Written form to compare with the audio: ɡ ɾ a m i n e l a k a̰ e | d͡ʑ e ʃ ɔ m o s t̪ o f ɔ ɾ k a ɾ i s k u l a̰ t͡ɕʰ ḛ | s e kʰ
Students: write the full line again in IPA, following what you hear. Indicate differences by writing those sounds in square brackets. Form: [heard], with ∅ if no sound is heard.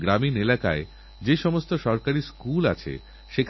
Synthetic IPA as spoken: ɡ ɾ a m i n e l a k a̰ e | d͡ʑ e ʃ ɔ m o s t̪ o [ʃ] ɔ ɾ k a ɾ i s k u l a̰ t͡ɕʰ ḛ | [ʃ] e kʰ